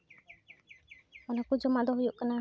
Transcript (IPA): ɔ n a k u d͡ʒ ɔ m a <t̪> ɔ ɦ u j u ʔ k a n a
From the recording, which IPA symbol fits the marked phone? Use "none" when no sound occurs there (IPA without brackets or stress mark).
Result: d̪